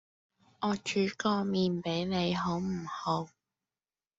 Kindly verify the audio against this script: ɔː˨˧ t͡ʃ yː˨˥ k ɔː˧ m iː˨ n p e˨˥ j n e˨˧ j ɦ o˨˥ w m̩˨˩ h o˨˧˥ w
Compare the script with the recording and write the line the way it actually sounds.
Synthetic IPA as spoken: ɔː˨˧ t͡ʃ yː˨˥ k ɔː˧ m iː˨ n p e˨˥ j n e˨˧ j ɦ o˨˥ w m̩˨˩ h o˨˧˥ w